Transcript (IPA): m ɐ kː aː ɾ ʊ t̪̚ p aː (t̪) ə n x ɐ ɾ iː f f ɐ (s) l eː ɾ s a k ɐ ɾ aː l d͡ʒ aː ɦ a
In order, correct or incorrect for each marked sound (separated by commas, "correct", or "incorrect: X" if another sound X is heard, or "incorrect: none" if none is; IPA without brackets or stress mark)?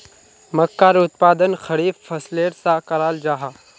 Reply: incorrect: d̪, correct